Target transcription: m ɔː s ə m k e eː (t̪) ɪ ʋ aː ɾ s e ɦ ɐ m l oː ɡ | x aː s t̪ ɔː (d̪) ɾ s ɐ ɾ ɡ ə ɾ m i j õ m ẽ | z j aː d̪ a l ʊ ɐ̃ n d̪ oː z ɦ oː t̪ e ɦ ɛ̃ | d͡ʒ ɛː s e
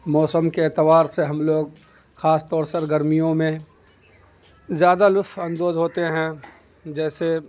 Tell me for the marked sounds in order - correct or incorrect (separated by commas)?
correct, incorrect